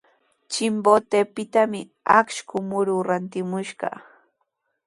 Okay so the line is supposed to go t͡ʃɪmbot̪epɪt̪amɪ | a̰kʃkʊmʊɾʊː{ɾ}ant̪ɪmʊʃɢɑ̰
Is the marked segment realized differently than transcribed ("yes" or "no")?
no